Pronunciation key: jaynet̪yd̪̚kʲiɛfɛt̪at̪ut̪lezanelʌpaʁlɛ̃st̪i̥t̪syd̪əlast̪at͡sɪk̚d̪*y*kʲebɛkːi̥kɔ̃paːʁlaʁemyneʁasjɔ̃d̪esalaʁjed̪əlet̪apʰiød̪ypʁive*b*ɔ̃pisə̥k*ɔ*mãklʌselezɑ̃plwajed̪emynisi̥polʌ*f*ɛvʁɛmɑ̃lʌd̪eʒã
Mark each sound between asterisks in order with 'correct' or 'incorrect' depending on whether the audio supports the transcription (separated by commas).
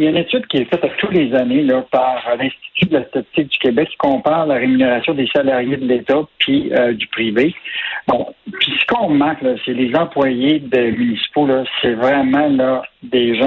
correct, correct, incorrect, incorrect